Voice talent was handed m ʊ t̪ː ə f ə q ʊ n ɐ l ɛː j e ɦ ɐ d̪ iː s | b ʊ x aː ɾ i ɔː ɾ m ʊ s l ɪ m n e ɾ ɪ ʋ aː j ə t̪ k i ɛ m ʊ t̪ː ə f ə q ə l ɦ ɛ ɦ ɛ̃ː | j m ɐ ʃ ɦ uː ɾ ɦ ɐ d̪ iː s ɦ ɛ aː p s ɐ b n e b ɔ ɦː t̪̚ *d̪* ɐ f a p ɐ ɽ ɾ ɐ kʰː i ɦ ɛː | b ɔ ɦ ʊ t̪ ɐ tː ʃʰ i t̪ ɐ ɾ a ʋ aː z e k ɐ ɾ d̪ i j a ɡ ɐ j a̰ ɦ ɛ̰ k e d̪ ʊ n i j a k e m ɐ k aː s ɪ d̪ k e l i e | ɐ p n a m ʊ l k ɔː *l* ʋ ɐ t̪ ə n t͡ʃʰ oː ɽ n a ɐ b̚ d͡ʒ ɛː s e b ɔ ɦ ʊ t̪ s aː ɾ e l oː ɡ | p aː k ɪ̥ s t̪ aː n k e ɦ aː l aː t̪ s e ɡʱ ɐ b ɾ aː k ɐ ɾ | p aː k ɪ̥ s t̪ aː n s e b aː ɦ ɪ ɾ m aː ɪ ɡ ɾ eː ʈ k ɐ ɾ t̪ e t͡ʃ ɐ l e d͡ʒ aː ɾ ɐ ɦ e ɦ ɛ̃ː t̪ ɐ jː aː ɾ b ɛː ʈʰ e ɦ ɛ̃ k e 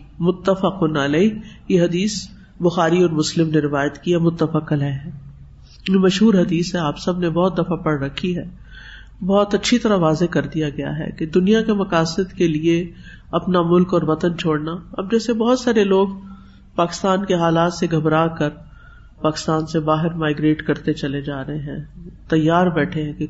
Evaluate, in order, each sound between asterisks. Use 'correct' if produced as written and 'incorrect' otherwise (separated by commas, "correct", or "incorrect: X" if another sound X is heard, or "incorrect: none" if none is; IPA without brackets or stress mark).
correct, incorrect: ɾ